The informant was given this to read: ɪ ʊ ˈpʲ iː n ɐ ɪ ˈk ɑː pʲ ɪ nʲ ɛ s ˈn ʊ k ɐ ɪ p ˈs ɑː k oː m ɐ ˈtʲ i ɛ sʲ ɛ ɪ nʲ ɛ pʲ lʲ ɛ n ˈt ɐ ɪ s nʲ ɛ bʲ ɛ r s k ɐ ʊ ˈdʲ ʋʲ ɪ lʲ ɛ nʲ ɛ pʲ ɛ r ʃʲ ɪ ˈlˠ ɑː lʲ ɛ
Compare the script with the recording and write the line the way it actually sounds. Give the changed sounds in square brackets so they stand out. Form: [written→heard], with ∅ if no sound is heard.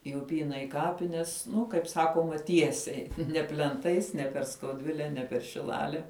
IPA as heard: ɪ ʊ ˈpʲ iː n ɐ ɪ ˈk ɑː pʲ ɪ nʲ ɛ s ˈn ʊ k ɐ ɪ p ˈs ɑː k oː m ɐ ˈtʲ i ɛ sʲ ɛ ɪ nʲ ɛ pʲ lʲ ɛ n ˈt ɐ ɪ s nʲ ɛ [bʲ→pʲ] ɛ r s k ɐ ʊ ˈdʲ ʋʲ ɪ lʲ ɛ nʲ ɛ pʲ ɛ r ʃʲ ɪ ˈlˠ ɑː lʲ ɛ